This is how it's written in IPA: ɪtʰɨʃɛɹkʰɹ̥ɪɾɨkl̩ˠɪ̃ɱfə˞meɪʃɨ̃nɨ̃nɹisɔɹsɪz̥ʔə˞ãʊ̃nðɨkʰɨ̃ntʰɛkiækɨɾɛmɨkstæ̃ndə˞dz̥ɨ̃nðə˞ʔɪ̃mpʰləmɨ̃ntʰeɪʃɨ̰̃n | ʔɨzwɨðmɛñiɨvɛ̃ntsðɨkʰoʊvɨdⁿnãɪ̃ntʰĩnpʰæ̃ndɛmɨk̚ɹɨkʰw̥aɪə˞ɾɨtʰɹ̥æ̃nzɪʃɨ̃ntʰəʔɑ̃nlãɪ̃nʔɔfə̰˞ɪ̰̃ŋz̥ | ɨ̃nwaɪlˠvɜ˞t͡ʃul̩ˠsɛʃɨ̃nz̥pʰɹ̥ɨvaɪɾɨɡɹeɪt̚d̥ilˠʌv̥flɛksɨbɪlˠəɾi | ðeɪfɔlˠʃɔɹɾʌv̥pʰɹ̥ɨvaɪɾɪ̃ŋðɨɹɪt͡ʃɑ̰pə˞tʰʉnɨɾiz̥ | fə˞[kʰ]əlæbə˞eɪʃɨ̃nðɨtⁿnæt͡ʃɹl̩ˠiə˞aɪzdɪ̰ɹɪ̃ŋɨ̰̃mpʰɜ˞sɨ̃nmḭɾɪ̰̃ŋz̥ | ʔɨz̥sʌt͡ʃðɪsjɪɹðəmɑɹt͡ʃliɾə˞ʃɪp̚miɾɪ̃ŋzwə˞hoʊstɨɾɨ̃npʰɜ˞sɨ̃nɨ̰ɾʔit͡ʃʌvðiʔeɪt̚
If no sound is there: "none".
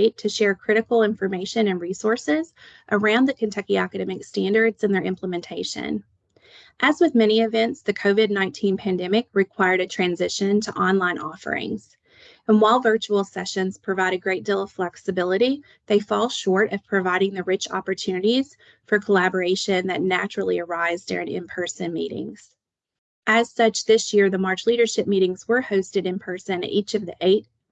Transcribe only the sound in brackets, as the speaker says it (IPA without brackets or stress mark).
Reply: kʰ